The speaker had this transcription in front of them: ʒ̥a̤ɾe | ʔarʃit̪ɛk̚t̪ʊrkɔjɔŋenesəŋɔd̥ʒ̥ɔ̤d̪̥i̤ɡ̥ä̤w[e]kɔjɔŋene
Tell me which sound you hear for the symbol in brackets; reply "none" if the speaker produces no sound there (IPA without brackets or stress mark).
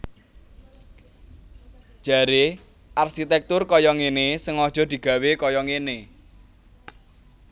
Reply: e